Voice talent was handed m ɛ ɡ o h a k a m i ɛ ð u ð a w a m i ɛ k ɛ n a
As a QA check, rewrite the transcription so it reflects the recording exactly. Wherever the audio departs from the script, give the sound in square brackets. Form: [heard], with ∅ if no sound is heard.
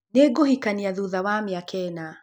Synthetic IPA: [n] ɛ ɡ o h [i] k a [n] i [a] ð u ð a w a m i [a] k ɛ n a